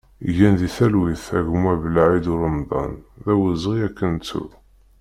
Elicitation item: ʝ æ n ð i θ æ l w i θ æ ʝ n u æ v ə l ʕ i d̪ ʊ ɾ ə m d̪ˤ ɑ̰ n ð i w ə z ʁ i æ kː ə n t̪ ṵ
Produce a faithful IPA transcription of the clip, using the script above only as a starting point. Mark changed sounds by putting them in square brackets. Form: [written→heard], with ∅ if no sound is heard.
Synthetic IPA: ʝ æ n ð i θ æ l w i θ æ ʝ [n→m] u æ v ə l ʕ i d̪ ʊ ɾ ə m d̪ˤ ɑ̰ n ð [i→æ] w ə z ʁ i æ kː ə n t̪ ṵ